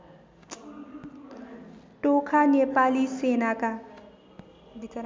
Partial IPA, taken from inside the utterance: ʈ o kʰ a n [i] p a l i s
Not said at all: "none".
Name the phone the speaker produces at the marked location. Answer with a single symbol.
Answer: e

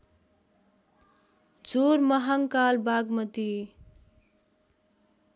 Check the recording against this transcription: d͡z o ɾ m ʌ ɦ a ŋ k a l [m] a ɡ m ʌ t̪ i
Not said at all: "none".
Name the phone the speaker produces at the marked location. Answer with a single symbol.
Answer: b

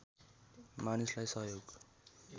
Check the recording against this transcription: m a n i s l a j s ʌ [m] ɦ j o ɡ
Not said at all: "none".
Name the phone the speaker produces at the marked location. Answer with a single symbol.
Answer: none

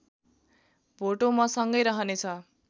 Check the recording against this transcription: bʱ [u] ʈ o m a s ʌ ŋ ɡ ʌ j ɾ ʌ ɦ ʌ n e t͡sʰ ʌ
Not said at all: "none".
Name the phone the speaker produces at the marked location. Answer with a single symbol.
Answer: o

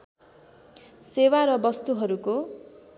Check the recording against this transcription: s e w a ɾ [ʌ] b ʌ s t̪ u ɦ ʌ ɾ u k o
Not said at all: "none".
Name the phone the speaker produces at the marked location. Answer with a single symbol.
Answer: ʌ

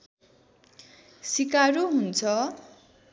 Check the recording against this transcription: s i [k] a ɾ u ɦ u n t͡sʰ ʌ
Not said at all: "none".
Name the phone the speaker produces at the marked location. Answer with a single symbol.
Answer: k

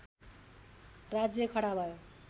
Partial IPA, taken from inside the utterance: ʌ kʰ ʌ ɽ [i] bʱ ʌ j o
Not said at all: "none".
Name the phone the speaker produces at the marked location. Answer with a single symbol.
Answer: a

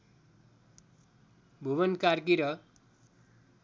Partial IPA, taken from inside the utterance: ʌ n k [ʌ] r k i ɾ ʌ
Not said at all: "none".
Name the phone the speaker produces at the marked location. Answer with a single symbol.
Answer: a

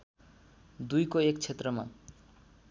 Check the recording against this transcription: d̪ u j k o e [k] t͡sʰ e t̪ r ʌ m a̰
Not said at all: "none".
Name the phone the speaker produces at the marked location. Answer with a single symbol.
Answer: k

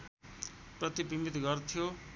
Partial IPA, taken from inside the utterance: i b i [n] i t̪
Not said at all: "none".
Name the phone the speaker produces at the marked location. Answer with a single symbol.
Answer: m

